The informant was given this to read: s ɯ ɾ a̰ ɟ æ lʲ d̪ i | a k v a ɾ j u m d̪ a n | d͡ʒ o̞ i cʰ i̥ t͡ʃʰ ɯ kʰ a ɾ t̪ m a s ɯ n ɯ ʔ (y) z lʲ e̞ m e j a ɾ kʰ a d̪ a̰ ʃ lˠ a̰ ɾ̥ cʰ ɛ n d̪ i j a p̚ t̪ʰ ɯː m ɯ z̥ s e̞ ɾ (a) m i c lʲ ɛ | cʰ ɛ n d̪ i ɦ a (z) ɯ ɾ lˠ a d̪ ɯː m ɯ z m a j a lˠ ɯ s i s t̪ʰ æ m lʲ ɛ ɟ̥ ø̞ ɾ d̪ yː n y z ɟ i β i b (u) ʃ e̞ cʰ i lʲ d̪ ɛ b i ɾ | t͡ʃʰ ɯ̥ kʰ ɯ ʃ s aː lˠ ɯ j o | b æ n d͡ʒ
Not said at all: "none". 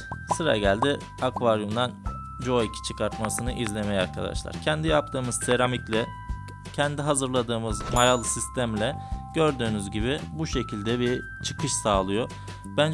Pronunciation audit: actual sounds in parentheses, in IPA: i, a, z, u

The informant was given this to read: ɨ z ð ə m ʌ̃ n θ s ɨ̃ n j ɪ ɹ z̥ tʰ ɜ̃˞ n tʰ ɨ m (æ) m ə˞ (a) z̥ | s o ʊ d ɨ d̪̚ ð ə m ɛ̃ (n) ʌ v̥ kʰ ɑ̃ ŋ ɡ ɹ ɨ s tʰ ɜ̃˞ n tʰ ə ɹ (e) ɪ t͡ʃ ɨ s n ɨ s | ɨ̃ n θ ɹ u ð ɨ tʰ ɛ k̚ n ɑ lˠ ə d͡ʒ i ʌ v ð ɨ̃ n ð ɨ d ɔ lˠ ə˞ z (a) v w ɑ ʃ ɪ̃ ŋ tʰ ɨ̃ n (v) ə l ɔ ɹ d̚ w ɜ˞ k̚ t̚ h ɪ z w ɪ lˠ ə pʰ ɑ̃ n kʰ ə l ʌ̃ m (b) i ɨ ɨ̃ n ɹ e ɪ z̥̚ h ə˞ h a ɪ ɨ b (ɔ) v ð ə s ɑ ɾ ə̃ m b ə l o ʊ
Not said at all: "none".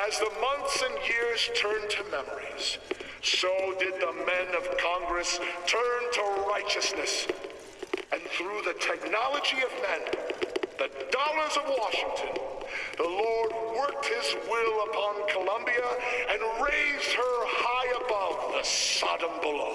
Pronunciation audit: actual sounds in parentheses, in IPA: ɛ, i, n, a, ʌ, ð, b, ʌ

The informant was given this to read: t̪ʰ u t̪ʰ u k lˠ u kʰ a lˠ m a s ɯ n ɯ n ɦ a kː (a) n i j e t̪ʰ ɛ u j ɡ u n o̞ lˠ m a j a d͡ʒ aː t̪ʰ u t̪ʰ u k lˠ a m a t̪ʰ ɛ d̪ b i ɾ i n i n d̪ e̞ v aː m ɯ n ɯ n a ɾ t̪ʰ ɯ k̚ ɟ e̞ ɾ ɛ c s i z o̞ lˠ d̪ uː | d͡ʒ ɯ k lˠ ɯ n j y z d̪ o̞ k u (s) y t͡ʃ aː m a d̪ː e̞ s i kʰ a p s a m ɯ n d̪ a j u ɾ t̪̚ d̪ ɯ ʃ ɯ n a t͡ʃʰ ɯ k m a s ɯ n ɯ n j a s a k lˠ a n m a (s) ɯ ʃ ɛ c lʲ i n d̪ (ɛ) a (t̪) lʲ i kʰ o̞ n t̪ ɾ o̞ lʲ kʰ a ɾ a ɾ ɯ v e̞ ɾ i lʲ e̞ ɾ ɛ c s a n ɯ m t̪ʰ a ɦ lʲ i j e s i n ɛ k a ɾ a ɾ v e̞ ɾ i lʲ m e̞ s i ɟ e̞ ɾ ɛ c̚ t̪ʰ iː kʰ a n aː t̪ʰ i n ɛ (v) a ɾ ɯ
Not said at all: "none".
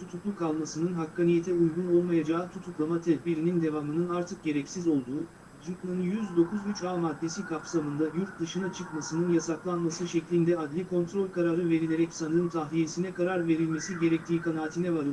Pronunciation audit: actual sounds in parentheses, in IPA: a, z, s, ɛ, d̪, v

